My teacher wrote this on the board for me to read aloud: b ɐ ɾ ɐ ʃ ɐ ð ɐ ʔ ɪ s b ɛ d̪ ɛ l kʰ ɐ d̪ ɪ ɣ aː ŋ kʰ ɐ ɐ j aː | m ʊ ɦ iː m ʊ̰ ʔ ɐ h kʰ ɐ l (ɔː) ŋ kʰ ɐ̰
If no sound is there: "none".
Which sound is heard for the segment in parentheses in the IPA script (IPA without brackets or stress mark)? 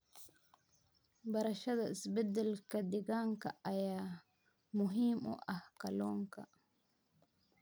ɔː